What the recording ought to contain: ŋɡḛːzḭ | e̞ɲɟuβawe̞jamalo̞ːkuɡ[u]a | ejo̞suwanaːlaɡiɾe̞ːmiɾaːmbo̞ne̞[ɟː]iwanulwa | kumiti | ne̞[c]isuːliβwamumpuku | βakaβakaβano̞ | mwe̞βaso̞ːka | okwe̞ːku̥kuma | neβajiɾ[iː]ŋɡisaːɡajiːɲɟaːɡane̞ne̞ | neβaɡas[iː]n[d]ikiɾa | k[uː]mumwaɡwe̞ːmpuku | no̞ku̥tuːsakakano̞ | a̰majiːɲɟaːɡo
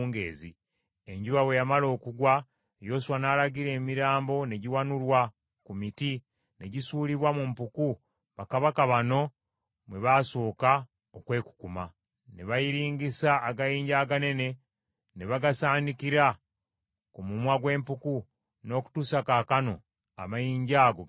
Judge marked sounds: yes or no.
no, no, no, yes, no, yes, no

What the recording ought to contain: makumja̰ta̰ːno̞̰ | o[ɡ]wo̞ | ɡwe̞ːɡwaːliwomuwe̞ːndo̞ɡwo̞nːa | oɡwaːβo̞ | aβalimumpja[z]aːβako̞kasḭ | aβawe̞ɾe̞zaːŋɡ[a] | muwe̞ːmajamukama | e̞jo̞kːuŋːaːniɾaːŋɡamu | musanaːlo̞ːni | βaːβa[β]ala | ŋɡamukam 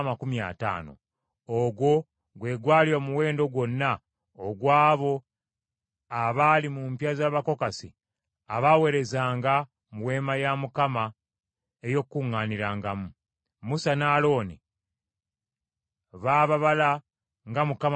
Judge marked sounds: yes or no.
yes, yes, yes, yes

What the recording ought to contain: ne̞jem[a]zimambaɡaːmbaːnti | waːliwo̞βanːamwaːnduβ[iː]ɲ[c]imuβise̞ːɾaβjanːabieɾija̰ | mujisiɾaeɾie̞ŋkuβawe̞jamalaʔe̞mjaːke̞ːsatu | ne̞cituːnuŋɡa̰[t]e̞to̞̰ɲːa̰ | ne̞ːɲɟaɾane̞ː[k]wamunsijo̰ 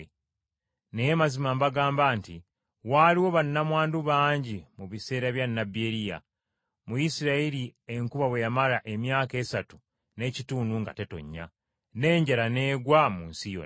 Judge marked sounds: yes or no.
yes, no, no, yes, no

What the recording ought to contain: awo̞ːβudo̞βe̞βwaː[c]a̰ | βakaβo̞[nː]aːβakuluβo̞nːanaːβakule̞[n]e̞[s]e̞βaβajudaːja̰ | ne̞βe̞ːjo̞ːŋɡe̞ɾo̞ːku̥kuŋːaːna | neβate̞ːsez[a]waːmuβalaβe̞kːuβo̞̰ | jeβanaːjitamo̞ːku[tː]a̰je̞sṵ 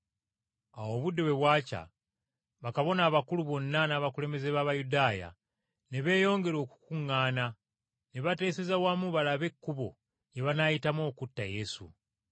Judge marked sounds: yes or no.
yes, no, no, no, yes, yes

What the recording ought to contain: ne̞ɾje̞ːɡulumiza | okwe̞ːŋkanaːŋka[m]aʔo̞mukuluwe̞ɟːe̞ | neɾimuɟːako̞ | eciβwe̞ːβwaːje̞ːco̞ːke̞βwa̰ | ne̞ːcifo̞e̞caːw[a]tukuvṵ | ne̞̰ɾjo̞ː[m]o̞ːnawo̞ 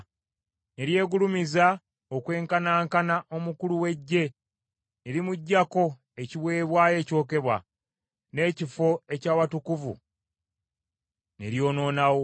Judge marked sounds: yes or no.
no, yes, no

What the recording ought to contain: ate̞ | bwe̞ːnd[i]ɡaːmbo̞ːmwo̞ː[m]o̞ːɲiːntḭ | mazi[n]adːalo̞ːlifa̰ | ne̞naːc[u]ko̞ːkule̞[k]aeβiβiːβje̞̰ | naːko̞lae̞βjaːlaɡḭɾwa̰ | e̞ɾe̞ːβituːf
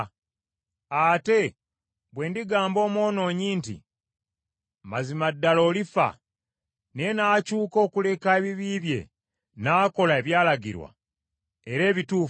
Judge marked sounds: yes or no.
yes, no, no, no, yes

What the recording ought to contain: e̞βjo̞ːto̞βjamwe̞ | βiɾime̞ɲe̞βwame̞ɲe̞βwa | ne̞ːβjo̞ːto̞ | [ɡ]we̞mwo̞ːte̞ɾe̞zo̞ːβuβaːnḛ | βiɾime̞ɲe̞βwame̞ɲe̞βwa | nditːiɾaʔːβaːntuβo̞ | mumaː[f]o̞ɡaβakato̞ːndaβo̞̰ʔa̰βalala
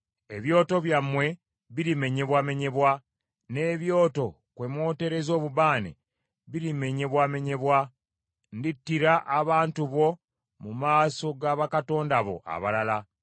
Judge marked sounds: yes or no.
no, no

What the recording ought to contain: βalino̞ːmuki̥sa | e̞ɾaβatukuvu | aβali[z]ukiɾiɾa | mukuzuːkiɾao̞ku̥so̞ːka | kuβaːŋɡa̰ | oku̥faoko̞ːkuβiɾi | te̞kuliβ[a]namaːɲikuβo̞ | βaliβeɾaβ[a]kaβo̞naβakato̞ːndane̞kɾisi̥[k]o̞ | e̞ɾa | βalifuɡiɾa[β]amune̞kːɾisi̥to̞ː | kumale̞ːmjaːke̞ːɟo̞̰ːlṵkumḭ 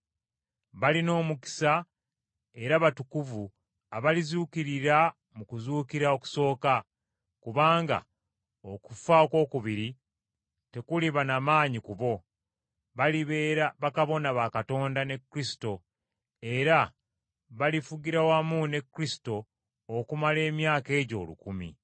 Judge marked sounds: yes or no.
yes, yes, yes, no, no

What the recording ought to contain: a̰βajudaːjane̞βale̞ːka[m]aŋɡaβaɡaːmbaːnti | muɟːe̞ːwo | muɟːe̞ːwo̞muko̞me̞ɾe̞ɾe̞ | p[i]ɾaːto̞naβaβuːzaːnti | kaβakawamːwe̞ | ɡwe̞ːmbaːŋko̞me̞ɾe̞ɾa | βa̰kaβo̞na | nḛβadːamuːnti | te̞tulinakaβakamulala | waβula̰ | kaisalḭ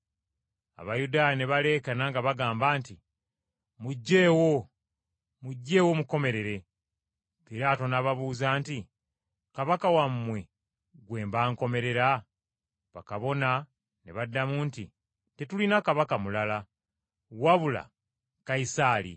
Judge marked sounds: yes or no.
no, yes

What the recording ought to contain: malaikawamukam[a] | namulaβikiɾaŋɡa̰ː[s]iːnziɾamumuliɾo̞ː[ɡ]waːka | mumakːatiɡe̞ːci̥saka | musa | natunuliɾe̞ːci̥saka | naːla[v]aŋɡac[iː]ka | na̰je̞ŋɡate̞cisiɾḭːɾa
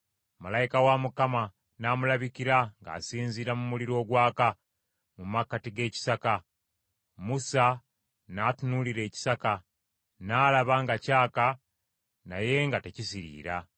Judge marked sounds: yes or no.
yes, yes, yes, no, no

